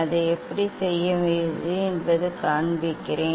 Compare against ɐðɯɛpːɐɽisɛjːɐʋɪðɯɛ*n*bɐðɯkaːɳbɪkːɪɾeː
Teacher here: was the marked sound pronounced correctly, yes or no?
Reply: yes